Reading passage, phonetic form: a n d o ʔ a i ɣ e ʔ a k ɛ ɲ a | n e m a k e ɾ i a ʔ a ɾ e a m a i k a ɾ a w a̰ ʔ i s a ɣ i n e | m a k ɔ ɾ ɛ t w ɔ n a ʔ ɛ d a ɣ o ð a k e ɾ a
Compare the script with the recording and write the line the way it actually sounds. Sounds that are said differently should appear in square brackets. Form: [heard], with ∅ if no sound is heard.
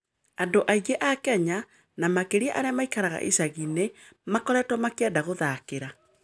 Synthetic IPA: a n d o ʔ a i ɣ e ʔ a k ɛ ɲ a | n [a] m a k e ɾ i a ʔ a ɾ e a m a i k a ɾ a [ɣ] a̰ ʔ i s a ɣ i n e | m a k ɔ ɾ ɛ t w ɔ [m] a [k] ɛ d a ɣ o ð a k e ɾ a